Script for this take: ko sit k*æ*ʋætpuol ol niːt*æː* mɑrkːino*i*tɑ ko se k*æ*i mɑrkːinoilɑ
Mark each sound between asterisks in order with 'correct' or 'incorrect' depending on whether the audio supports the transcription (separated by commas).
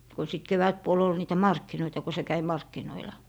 incorrect, incorrect, correct, correct